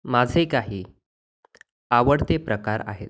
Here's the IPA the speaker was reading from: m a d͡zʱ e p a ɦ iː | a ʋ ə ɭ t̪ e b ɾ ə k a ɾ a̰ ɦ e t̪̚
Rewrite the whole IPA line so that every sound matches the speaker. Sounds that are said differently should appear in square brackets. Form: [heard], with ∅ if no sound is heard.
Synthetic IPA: m a d͡zʱ e [k] a ɦ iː | a ʋ ə [ɽ] t̪ e [p] ɾ ə k a ɾ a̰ ɦ e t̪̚